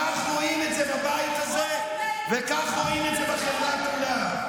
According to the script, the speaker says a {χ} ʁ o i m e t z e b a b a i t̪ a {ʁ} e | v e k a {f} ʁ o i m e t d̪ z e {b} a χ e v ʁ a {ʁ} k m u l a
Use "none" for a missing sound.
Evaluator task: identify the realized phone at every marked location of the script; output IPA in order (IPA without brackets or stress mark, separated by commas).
χ, z, χ, b, none